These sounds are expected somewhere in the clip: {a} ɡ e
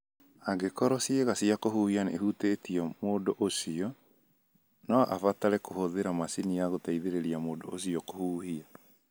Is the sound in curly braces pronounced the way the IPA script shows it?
yes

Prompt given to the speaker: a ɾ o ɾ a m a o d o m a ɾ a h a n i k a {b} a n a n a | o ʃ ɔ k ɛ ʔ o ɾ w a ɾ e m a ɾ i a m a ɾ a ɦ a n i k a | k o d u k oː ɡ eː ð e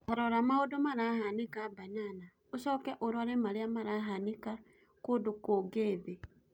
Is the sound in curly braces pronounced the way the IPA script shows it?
yes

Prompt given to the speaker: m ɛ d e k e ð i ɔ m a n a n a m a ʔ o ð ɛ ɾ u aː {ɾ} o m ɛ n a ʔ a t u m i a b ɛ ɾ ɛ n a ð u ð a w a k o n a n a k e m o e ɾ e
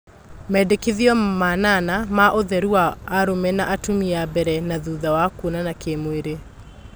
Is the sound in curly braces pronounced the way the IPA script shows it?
yes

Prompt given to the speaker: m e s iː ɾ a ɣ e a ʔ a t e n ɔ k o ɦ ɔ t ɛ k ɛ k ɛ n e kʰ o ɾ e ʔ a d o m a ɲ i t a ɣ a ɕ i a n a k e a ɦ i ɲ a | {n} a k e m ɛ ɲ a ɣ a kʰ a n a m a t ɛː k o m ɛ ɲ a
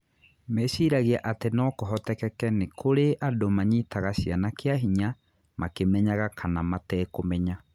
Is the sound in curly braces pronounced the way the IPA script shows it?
no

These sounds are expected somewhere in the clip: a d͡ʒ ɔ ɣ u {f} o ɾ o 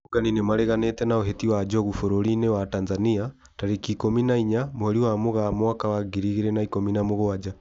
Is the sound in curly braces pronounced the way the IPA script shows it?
yes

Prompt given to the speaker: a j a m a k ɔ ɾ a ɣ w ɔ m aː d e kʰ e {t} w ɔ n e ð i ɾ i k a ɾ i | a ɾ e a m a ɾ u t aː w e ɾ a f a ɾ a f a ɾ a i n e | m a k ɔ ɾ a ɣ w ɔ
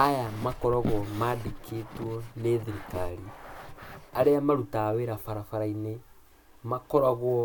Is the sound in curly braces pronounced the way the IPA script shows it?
yes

